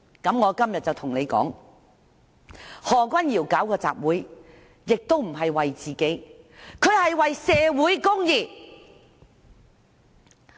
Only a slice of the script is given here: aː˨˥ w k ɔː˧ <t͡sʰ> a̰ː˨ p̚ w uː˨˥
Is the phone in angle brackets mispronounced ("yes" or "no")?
yes